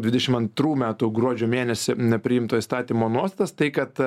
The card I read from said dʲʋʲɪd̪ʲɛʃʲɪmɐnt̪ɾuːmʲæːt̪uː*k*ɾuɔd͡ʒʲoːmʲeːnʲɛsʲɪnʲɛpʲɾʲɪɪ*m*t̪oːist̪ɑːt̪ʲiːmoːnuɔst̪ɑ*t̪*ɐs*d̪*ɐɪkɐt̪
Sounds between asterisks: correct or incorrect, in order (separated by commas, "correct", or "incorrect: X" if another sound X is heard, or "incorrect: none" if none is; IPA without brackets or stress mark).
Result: incorrect: ɡ, correct, correct, incorrect: t̪